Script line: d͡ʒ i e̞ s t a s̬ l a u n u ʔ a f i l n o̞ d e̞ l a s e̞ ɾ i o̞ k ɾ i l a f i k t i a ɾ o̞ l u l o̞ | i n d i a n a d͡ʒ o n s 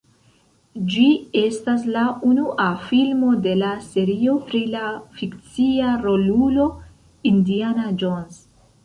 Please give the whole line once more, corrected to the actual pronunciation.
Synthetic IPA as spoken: d͡ʒ i e̞ s t a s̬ l a u n u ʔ a f i l m o̞ d e̞ l a s e̞ ɾ i o̞ p ɾ i l a f i k t͡s i a ɾ o̞ l u l o̞ | i n d i a n a d͡ʒ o n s